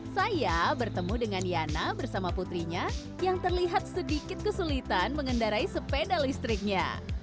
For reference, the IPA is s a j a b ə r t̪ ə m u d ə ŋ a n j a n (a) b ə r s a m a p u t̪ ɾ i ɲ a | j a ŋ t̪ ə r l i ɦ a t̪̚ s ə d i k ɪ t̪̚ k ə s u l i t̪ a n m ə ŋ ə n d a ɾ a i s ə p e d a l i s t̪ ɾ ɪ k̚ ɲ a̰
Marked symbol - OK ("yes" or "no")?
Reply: yes